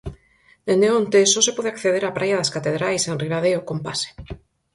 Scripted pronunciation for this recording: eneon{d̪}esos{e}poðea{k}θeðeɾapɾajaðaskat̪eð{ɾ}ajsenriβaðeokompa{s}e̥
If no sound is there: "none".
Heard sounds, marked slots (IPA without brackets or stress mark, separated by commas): t̪, e, k, ɾ, s